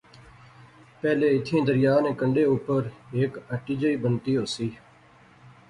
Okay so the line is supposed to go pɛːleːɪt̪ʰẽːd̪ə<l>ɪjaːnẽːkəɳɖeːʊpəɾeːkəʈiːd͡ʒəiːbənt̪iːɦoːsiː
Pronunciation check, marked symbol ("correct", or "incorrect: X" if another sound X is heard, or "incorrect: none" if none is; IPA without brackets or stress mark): incorrect: ɾ